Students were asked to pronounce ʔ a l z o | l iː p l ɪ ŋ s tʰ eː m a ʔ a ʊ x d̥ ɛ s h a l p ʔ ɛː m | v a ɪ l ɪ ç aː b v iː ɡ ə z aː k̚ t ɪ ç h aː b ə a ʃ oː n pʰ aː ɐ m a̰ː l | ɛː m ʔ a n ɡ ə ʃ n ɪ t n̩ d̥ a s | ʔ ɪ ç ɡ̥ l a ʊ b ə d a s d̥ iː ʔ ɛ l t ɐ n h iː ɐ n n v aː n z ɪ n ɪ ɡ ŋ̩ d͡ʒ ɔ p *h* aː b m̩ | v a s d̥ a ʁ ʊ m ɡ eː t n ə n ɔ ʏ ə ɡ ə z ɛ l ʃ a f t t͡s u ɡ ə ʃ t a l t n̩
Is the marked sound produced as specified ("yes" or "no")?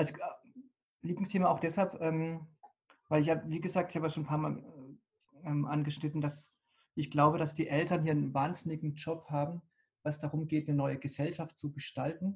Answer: yes